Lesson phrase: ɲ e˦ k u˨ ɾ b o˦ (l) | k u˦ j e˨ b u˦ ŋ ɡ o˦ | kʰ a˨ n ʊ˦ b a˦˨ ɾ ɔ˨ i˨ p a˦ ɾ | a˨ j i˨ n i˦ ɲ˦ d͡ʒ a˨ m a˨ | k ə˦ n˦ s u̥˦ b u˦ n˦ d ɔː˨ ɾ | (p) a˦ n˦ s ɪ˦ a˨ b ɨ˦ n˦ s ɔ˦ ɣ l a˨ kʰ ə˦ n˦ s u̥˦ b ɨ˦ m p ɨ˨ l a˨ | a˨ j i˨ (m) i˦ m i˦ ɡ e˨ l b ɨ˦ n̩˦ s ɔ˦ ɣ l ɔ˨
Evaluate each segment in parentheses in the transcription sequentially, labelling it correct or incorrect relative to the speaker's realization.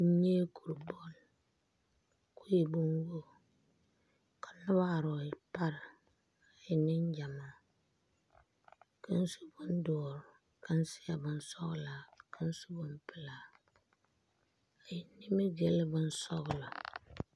correct, incorrect: k, incorrect: n

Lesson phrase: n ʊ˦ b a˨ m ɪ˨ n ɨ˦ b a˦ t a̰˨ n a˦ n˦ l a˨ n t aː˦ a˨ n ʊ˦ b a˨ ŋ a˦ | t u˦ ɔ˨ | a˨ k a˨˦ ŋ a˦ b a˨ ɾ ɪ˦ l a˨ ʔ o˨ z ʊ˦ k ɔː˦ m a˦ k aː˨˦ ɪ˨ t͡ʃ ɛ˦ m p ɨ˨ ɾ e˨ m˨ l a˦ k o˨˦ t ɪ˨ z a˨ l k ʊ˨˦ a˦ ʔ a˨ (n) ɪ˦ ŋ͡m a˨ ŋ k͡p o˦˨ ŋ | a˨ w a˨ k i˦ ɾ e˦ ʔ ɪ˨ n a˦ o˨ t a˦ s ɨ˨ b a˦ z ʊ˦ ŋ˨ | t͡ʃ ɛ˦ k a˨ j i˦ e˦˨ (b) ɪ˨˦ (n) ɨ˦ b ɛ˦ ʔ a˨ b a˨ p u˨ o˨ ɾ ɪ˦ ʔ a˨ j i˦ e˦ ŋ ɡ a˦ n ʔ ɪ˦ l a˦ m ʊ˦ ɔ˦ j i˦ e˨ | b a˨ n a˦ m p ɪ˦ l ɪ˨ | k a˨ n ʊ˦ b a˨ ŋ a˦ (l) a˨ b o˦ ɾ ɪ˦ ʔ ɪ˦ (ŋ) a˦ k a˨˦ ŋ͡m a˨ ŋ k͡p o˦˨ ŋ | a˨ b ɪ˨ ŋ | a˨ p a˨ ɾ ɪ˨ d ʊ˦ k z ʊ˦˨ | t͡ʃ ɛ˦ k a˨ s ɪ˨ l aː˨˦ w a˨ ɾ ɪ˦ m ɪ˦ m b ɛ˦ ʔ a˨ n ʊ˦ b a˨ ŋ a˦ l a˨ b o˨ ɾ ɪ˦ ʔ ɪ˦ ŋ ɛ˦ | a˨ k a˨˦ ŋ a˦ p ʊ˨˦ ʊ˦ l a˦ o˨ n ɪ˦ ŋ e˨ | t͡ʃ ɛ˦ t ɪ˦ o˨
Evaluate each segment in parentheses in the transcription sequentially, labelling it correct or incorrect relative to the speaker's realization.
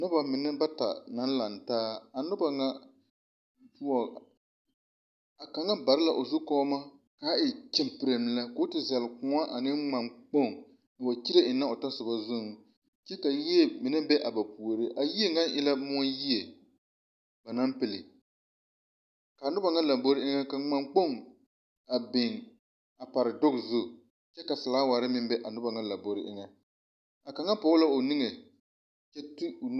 correct, incorrect: m, correct, correct, correct

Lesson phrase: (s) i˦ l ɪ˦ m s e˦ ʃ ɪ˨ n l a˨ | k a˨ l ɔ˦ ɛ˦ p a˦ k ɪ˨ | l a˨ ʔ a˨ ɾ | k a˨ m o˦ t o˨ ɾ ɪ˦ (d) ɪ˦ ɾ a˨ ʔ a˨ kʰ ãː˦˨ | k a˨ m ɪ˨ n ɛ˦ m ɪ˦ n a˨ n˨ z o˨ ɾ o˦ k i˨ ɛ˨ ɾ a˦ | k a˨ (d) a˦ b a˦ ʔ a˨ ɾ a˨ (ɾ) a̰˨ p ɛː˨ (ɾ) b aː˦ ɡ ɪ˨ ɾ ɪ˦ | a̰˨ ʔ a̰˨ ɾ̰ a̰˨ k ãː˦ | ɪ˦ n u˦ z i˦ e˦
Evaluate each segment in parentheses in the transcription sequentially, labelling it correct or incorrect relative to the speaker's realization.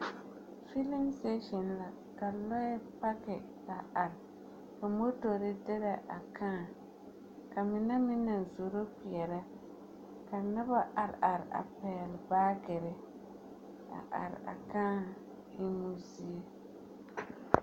incorrect: f, correct, incorrect: n, correct, incorrect: l

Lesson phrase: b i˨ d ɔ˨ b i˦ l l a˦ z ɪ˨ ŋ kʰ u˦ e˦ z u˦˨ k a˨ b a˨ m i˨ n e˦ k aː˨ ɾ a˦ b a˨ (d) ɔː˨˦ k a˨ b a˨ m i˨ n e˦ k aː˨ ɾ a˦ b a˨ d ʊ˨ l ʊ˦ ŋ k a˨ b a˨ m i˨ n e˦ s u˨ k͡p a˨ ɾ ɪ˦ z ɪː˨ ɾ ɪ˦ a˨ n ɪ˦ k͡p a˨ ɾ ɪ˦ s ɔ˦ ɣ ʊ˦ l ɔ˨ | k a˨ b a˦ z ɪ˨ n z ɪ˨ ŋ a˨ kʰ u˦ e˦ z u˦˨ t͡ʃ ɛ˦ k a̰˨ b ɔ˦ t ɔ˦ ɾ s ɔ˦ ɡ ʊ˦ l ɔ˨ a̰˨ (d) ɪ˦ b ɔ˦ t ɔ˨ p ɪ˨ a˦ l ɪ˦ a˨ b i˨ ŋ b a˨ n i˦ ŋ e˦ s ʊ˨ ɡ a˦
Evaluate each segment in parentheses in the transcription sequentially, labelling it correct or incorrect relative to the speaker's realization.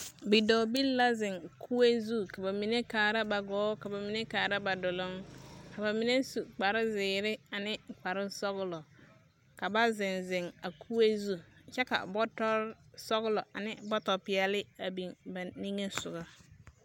incorrect: ɡ, incorrect: n

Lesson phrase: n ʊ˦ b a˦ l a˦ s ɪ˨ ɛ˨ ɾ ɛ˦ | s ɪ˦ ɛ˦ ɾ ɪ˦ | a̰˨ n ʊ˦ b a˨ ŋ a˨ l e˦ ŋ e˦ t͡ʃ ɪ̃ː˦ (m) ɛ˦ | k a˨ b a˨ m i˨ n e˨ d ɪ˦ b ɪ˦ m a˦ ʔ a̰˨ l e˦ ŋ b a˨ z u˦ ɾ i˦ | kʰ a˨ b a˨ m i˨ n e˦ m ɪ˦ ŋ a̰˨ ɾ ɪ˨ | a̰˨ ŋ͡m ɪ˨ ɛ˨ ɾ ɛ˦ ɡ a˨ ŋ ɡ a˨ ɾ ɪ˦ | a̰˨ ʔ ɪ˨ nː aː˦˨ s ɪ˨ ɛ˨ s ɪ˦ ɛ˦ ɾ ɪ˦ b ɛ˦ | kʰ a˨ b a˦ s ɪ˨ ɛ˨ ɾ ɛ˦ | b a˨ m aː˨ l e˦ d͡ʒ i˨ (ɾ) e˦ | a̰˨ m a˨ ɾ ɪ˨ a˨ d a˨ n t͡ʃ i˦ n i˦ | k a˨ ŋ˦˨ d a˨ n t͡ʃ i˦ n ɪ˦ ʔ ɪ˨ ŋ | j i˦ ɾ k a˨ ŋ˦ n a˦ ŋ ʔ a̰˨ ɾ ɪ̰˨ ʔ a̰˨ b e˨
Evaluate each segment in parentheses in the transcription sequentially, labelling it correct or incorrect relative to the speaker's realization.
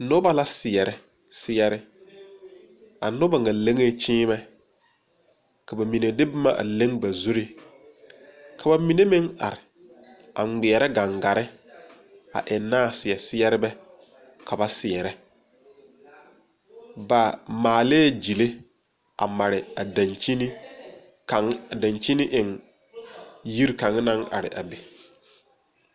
correct, incorrect: l

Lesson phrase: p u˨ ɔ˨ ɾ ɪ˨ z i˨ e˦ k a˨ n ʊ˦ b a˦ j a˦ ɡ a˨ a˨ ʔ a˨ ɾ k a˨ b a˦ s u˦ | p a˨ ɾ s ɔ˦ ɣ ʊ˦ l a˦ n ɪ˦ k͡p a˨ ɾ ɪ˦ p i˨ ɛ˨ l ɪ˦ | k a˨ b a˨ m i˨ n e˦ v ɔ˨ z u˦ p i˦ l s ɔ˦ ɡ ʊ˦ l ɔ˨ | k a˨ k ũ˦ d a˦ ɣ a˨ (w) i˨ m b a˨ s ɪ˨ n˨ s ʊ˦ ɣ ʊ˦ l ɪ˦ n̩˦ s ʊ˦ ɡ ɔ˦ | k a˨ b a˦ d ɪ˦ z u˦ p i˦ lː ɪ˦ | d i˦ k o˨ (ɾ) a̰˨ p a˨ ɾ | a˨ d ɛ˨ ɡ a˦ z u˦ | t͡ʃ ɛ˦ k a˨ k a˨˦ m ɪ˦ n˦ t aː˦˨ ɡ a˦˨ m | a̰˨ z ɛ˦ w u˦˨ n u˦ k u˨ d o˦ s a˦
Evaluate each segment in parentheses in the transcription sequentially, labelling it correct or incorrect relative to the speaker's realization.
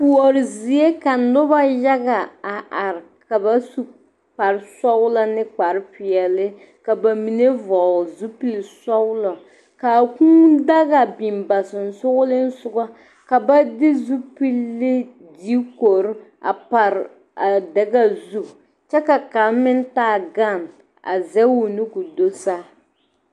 incorrect: b, correct

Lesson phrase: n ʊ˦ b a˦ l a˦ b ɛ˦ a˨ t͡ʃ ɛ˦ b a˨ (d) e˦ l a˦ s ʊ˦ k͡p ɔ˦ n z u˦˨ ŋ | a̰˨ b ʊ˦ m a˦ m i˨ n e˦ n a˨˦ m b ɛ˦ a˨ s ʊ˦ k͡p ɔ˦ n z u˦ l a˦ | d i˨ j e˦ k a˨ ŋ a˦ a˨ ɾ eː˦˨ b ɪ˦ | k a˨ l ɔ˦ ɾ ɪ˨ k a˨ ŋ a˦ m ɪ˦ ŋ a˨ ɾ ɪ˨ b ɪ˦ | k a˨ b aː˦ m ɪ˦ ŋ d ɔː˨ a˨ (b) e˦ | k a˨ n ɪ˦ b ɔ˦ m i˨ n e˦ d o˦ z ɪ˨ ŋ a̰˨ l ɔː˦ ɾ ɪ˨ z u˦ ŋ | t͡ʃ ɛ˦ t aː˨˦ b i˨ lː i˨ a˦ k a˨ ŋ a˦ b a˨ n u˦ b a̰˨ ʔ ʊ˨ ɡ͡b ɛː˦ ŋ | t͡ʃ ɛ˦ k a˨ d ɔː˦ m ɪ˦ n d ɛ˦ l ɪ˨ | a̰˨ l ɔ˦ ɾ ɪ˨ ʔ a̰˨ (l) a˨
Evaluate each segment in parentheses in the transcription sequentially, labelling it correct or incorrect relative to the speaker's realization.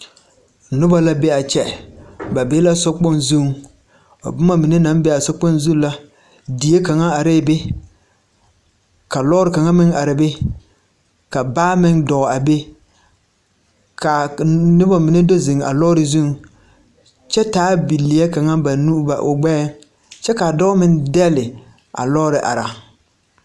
incorrect: b, correct, incorrect: ɾ

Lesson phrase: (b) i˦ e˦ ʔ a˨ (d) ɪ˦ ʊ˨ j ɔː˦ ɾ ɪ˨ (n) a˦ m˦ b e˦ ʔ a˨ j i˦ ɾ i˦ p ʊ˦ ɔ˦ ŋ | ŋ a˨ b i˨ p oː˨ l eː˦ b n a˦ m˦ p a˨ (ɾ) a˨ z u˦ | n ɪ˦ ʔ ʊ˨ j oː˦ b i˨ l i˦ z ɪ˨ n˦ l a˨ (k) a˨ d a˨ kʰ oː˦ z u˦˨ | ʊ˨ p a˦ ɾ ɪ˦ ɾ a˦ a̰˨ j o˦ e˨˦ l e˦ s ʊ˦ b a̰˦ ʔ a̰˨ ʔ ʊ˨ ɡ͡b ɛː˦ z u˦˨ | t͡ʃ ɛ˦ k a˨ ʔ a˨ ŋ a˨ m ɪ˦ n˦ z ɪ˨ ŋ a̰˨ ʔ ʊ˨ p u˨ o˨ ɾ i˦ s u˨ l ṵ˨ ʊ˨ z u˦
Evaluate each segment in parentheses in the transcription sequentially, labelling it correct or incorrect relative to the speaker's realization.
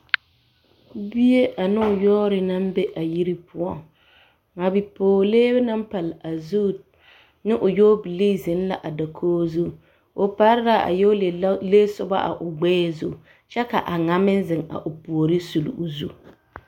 correct, incorrect: n, correct, incorrect: l, incorrect: ʔ

